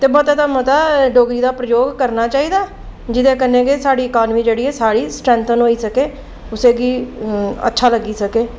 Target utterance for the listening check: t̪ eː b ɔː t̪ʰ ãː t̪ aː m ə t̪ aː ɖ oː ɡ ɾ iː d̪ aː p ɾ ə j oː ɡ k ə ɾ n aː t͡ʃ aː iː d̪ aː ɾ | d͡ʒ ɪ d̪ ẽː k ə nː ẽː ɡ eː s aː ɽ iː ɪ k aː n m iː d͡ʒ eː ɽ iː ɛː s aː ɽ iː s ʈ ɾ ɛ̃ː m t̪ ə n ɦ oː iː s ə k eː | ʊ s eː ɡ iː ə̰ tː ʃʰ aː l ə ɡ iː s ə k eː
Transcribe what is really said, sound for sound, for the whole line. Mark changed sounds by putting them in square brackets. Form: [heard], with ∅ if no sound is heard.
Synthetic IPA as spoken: t̪ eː b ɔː [t̪] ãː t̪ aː m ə t̪ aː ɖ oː ɡ ɾ iː d̪ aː p ɾ ə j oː ɡ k ə ɾ n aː t͡ʃ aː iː d̪ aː [∅] | d͡ʒ ɪ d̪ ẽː k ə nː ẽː ɡ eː s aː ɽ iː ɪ k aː n m iː d͡ʒ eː ɽ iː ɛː s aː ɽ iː s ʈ ɾ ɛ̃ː [n] t̪ ə n ɦ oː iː s ə k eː | ʊ s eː ɡ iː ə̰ tː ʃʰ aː l ə ɡ iː s ə k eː

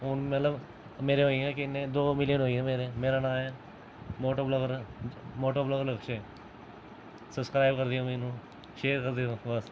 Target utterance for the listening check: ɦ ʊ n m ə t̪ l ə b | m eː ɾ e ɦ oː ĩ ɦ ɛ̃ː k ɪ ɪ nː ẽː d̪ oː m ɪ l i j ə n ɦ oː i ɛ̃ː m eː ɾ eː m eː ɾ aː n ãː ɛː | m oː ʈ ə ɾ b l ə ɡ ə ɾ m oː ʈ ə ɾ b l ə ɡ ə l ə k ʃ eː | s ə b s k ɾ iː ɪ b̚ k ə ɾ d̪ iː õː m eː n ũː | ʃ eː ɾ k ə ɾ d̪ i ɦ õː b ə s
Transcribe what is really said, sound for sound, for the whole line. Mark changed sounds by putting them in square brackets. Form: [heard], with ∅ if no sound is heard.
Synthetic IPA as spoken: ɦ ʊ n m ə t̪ l ə b | m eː ɾ e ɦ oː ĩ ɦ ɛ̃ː k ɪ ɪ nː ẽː d̪ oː m ɪ l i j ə n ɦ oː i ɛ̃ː m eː ɾ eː m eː ɾ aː n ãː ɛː | m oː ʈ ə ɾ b l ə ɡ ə ɾ m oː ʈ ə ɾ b l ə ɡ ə l ə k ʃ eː | s ə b s k ɾ [aː] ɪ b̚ k ə ɾ d̪ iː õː m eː n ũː | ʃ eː ɾ k ə ɾ d̪ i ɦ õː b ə s

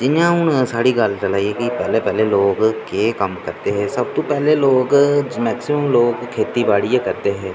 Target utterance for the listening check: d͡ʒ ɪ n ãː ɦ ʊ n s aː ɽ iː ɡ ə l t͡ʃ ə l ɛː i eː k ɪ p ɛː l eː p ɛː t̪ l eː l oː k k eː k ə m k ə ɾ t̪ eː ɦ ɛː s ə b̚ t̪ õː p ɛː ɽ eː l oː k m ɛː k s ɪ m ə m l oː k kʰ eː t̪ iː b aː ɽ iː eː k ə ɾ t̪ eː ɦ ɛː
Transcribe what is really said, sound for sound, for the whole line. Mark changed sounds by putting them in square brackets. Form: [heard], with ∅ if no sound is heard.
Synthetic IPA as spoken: d͡ʒ ɪ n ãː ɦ ʊ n s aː ɽ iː ɡ ə l t͡ʃ ə l [aː] i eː k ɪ p ɛː l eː p ɛː [∅] l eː l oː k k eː k ə m k ə ɾ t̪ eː ɦ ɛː s ə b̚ t̪ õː p ɛː [l] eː l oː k m ɛː k s ɪ m ə m l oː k kʰ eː t̪ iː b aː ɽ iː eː k ə ɾ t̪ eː ɦ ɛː

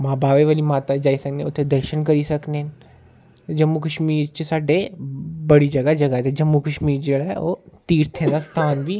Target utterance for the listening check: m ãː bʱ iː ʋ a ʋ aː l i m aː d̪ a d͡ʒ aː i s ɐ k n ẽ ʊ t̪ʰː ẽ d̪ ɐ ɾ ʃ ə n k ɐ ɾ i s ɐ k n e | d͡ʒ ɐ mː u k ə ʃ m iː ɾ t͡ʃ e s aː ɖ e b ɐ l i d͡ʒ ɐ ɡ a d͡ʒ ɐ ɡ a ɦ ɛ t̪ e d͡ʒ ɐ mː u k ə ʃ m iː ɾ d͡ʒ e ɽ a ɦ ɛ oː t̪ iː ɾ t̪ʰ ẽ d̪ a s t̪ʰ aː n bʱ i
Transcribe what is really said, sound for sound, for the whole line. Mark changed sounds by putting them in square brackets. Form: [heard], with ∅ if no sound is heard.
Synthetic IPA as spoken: m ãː bʱ [aː] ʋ [e] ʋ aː l i m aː [t̪] a d͡ʒ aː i s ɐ k n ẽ ʊ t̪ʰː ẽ d̪ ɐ ɾ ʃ ə n k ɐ ɾ i s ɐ k n e | d͡ʒ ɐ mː u k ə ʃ m iː ɾ t͡ʃ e s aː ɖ e b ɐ [ɽ] i d͡ʒ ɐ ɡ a d͡ʒ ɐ ɡ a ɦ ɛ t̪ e d͡ʒ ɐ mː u k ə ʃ m iː ɾ d͡ʒ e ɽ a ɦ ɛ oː t̪ iː ɾ t̪ʰ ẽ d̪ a s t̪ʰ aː n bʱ i

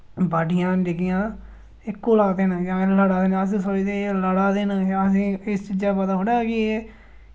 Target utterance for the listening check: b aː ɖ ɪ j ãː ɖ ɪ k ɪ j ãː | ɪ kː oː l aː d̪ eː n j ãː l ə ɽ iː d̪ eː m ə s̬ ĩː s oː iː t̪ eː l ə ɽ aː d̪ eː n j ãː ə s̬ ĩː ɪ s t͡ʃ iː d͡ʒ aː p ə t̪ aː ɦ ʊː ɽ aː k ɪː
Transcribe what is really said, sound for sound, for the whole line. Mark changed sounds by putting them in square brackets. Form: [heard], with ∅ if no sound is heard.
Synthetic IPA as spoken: b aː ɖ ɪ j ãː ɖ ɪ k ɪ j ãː | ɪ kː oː l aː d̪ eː n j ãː l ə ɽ [aː] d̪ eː [n] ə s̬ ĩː s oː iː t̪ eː l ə ɽ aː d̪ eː n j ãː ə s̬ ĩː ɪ s t͡ʃ iː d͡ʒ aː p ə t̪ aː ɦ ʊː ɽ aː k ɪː

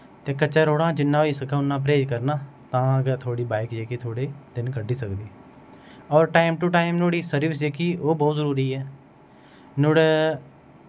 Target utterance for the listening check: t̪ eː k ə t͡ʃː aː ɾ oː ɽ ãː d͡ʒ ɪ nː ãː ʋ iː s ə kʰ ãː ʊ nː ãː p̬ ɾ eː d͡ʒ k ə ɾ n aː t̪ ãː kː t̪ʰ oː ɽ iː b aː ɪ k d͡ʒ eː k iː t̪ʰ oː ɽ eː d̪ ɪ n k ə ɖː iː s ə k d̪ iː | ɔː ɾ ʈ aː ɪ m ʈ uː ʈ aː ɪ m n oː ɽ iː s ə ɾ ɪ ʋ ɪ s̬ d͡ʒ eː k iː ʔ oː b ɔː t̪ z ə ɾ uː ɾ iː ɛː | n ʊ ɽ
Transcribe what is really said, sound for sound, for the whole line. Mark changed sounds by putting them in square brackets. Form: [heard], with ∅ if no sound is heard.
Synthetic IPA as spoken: t̪ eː k ə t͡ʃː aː ɾ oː ɽ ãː d͡ʒ ɪ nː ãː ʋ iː s ə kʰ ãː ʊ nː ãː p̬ ɾ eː d͡ʒ k ə ɾ n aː t̪ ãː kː t̪ʰ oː ɽ iː b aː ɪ k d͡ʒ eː k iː t̪ʰ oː ɽ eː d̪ ɪ n k ə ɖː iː s ə k d̪ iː | ɔː ɾ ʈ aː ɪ m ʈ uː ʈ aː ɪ m n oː ɽ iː s ə ɾ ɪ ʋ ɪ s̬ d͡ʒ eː k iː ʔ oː b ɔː t̪ z ə ɾ uː ɾ iː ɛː | n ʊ ɽ

